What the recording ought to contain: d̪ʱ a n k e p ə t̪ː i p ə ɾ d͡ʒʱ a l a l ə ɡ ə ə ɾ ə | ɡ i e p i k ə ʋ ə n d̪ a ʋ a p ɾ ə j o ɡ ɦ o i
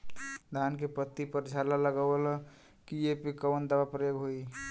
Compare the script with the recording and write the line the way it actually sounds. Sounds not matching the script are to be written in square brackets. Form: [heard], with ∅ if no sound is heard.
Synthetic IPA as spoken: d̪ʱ a n k e p ə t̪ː i p ə ɾ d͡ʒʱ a l a l ə ɡ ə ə [l] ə | [k] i e p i k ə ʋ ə n d̪ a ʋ a p ɾ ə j o ɡ ɦ o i